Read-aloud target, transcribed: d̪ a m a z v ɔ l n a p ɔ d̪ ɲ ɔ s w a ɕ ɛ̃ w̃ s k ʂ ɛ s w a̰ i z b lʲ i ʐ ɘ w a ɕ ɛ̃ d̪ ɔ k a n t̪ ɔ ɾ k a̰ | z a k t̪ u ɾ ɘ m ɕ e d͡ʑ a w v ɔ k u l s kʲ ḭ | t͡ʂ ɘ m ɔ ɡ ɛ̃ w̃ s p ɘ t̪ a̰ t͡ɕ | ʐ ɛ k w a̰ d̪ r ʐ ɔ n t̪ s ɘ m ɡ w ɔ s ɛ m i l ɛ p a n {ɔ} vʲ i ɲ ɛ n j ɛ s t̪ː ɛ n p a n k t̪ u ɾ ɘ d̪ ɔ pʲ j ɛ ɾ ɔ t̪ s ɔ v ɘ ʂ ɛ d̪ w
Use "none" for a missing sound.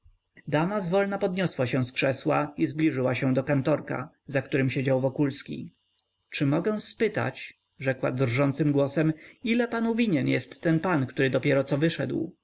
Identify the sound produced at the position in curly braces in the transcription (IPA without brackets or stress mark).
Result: u